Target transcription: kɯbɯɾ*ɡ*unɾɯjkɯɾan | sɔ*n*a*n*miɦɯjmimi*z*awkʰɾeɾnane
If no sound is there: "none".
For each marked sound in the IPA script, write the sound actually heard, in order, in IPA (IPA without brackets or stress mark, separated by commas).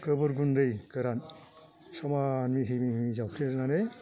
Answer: ɡ, m, n, z